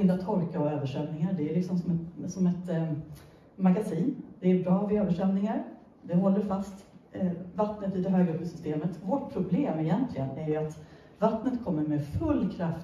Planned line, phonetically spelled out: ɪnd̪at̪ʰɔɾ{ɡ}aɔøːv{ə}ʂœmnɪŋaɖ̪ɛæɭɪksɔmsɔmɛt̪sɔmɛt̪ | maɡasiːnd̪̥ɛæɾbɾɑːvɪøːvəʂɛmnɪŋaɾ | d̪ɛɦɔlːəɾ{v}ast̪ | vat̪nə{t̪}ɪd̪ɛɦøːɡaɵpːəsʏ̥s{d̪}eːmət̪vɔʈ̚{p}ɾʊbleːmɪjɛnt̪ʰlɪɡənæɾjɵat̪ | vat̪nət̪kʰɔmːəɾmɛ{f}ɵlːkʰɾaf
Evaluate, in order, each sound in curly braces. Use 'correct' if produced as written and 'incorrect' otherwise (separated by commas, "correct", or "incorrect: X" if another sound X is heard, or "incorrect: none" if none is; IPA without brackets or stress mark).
incorrect: k, correct, incorrect: f, correct, incorrect: t̪, incorrect: pʰ, correct